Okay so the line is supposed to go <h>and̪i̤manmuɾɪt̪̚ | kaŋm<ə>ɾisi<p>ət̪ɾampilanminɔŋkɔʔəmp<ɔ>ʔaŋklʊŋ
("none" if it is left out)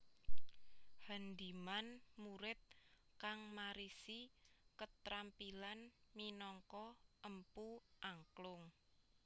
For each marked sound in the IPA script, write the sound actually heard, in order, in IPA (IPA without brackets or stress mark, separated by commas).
h, a, k, u